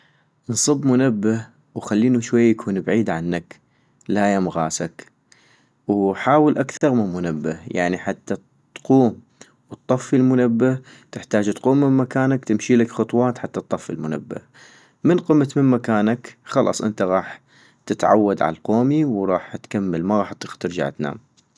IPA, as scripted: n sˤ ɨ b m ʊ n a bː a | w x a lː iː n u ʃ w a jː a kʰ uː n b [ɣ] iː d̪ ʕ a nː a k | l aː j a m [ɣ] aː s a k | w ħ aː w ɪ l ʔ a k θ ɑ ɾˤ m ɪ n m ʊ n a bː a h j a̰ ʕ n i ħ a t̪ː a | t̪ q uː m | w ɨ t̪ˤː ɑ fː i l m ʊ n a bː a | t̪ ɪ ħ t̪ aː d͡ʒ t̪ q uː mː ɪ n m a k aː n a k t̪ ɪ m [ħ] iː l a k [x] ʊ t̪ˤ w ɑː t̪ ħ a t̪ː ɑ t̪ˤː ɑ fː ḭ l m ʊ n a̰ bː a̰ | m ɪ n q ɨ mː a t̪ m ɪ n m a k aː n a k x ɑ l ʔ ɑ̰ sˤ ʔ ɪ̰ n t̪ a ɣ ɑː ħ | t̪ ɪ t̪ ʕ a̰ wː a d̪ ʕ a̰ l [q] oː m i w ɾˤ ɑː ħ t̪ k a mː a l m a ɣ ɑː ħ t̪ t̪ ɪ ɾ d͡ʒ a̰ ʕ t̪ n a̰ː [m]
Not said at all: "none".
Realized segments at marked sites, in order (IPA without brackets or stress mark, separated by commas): ʕ, ɣ, ʃ, x, q, m